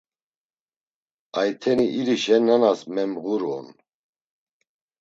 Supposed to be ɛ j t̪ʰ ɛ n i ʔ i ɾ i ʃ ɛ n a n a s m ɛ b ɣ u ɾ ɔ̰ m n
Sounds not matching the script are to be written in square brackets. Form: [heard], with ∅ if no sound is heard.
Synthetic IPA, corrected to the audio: [a] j t̪ʰ ɛ n i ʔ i ɾ i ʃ ɛ n a n a s m ɛ [m] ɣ u ɾ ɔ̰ [∅] n